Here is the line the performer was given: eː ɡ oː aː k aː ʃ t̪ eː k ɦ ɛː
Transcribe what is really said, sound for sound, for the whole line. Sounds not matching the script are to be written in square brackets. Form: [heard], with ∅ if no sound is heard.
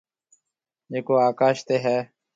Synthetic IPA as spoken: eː [k] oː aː k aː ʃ t̪ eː [∅] ɦ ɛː